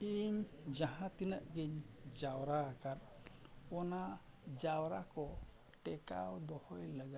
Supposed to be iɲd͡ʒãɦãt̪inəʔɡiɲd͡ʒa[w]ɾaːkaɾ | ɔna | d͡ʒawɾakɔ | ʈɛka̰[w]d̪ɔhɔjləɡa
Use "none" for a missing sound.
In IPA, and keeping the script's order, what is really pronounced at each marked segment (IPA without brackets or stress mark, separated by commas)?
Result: w, w